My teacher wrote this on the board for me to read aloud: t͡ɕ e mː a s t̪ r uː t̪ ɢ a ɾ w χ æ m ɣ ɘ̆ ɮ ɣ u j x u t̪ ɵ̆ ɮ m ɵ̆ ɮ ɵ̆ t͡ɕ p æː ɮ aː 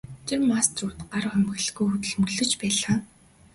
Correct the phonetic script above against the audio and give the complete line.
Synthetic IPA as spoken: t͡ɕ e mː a s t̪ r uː t̪ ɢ a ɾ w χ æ m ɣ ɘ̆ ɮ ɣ u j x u t̪ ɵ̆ ɮ m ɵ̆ ɮ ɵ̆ t͡ɕ p æː ɮ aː

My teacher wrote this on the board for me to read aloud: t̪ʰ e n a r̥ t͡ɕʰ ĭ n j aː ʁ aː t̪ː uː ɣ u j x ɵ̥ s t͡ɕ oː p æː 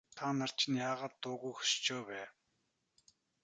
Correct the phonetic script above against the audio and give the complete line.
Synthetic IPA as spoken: t̪ʰ a n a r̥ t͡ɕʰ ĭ n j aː ʁ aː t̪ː ʊː ɣ u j x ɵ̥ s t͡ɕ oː p æː

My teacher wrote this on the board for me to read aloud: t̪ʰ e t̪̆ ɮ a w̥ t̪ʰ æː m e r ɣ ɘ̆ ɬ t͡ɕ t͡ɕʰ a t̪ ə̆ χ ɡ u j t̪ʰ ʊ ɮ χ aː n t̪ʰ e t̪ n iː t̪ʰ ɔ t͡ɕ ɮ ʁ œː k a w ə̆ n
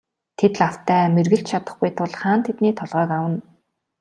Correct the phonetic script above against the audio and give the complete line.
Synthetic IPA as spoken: t̪ʰ e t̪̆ ɮ a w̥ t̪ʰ æː m e r ɣ ɘ̆ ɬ t͡ɕ t͡ɕʰ a t̪ ə̆ χ ɡ u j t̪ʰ ʊ ɮ χ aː n t̪ʰ e t̪ n iː t̪ʰ ɔ ɮ ʁ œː k a w ə̆ n

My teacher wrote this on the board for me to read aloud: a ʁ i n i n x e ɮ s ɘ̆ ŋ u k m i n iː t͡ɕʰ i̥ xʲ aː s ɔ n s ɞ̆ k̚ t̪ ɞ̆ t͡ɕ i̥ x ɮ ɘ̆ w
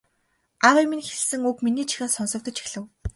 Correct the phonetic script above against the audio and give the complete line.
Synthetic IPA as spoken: a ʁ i m i n x e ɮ s ɘ̆ ŋ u k m i n iː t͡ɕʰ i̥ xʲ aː s ɔ n s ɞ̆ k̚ t̪ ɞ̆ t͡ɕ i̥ x ɮ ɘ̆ w

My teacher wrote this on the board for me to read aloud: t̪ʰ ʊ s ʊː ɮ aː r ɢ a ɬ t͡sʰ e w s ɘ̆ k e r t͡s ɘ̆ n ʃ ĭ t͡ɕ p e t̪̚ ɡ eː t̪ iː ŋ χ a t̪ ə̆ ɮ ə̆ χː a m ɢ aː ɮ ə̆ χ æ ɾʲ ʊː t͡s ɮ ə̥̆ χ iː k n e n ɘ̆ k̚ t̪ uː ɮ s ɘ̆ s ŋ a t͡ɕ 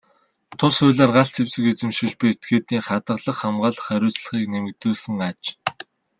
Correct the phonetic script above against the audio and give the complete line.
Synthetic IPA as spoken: t̪ʰ ʊ s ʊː ɮ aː r ɢ a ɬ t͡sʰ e w s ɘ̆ k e t͡s ɘ̆ m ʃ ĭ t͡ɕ p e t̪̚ ɡ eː t̪ iː ŋ χ a t̪ ə̆ ɮ ə̆ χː a m ɢ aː ɮ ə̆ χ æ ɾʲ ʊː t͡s ɮ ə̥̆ χ iː k n e m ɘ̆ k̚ t̪ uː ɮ s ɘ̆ ŋ a t͡ɕ

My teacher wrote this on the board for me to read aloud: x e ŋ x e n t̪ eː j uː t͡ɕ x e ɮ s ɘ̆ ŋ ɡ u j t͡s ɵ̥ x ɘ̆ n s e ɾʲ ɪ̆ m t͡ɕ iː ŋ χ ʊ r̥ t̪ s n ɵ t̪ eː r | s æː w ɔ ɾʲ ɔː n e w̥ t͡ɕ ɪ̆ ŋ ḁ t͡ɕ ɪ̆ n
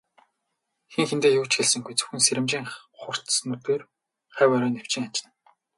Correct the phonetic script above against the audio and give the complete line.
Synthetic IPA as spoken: x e ŋ x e n t̪ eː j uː t͡ɕ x e ɮ s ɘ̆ ŋ ɡ u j t͡s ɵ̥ x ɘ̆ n s e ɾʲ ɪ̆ m t͡ɕ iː ŋ χ ʊ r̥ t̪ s n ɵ t̪ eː r | χ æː w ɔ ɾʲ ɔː n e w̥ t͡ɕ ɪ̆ ŋ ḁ t͡ɕ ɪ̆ n

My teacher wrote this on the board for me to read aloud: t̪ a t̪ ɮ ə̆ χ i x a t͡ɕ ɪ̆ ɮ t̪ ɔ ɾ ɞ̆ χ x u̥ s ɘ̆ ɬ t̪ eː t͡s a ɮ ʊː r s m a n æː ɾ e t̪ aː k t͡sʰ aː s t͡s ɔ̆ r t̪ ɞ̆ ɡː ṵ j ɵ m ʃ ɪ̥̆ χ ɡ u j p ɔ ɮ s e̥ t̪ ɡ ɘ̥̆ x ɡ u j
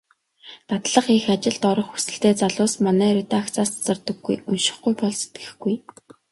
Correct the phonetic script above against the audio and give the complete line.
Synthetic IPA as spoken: t̪ a t̪ ɮ ə̆ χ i x a t͡ɕ ɪ̆ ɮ t̪ ɔ ɾ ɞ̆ χ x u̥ s ɘ̆ ɬ t̪ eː t͡s a ɮ ʊː s m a n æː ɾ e t̪ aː k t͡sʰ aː s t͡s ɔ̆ r t̪ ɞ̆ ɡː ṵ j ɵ n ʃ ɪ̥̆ χ ɡ u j p ɔ ɮ s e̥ t̪ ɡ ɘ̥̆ x ɡ u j

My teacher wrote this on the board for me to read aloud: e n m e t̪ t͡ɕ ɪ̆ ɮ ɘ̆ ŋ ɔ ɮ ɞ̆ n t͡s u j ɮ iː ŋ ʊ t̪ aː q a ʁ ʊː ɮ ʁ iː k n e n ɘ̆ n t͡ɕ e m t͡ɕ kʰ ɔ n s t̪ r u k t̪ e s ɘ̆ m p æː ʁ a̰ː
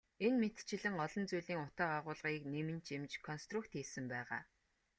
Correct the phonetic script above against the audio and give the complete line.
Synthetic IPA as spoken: e n m e t̪ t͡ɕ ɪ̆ ɮ ɘ̆ ŋ ɔ ɮ ɞ̆ n t͡s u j ɮ iː ŋ ʊ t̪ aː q a ʁ ʊː ɮ ʁ iː k n e m ɘ̆ n t͡ɕ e m t͡ɕ kʰ ɔ n s t̪ r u k t̪ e s ɘ̆ m p æː ʁ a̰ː

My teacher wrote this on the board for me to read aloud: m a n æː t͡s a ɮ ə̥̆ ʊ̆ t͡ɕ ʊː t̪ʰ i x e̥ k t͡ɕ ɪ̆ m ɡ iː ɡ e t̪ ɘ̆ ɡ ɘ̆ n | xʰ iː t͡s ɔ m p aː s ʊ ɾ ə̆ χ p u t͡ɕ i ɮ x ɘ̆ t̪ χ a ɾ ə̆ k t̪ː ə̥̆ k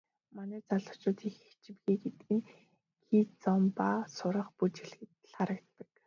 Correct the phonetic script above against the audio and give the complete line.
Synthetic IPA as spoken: m a n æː t͡s a ɮ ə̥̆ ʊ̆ t͡ɕ ʊː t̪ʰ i x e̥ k t͡ɕ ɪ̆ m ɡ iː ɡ e t̪ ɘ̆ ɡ ɘ̆ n | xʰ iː t͡s ɔ m p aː s ʊ ɾ ə̆ χ p u t͡ɕ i ɮ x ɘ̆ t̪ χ a ɾ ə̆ k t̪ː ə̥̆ k

